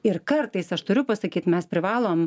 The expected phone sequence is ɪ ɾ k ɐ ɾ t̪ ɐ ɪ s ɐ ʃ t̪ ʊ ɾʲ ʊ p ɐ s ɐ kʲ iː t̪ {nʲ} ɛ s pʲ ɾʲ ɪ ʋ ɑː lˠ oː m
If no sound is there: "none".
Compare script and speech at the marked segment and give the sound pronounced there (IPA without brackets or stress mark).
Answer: mʲ